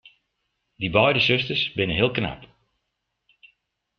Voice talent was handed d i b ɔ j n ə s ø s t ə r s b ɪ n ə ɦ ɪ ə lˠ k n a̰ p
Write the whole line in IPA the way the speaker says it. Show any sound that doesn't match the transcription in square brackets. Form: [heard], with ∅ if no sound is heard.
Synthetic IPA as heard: d i b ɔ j [d] ə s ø s t ə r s b ɪ n ə ɦ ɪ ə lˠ k n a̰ p